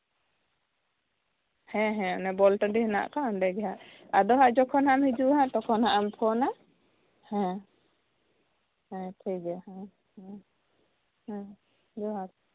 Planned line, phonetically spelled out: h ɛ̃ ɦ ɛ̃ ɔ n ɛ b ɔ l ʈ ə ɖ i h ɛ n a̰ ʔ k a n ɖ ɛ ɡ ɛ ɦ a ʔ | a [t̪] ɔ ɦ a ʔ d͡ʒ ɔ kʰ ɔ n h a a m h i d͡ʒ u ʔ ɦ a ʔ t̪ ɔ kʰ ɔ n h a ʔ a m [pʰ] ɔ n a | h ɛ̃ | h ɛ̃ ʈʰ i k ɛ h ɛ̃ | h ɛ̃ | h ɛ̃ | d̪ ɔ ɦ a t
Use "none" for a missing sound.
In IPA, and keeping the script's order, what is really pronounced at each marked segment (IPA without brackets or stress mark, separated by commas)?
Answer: d̪, pʰ